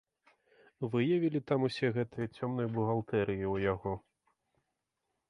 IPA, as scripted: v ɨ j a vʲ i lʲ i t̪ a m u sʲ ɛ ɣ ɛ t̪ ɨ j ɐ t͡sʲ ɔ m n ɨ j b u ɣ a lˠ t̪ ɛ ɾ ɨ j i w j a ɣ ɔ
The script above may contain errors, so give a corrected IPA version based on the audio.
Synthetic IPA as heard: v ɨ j a vʲ i lʲ i t̪ a m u sʲ ɛ ɣ ɛ t̪ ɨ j ɐ t͡sʲ ɔ m n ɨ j b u ɣ a lˠ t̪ ɛ ɾ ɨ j i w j a ɣ ɔ